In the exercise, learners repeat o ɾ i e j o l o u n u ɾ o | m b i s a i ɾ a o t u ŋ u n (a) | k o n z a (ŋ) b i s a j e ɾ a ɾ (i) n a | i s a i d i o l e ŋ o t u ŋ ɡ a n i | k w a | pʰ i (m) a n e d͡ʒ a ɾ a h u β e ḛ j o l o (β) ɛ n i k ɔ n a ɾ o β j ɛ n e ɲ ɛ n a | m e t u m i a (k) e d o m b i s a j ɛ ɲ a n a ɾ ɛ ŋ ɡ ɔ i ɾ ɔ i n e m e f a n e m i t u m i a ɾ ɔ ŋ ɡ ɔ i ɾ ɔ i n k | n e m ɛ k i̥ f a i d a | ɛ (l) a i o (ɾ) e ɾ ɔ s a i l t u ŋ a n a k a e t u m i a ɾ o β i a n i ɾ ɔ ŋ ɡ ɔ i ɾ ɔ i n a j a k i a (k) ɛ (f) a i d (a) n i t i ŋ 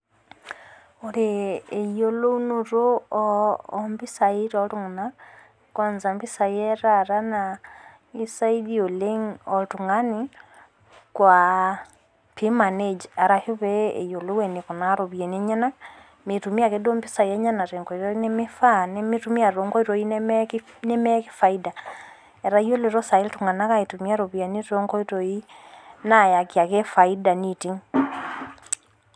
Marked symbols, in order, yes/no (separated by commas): yes, no, no, yes, no, yes, no, no, yes, yes, yes